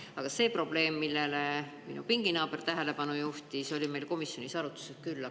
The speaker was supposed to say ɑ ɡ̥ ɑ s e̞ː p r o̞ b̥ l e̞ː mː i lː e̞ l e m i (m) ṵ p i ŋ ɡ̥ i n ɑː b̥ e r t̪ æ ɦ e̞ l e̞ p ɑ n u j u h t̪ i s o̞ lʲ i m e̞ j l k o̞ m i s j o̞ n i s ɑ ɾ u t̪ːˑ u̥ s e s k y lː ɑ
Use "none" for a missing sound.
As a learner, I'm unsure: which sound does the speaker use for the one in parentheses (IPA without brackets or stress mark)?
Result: n